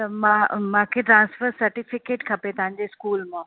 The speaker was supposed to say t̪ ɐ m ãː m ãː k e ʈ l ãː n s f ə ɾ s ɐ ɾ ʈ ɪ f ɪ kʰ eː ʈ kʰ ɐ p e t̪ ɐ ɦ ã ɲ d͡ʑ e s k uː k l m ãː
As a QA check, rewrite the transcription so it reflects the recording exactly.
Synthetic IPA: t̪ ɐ m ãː m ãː kʰ e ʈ ɾ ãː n s f ə ɾ s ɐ ɾ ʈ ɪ f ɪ k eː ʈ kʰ ɐ p e t̪ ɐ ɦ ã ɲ d͡ʑ e s k uː l m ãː